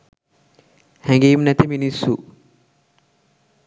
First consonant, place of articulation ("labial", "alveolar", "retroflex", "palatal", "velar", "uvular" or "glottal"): glottal